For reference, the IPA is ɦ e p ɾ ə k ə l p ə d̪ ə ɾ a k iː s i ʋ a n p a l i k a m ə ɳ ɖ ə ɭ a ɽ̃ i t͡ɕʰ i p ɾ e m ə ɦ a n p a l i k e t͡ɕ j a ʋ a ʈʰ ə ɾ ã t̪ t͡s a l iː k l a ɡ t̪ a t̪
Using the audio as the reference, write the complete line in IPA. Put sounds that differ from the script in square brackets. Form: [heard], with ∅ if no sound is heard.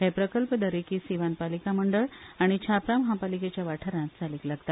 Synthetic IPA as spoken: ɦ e p ɾ ə k ə l p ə d̪ ə ɾ [e] k iː s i ʋ a n p a l i k a m ə ɳ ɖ ə ɭ a ɽ̃ i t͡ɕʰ [a] p ɾ [a] m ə ɦ a [∅] p a l i k e t͡ɕ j a ʋ a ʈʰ ə ɾ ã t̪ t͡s a l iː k l a ɡ t̪ a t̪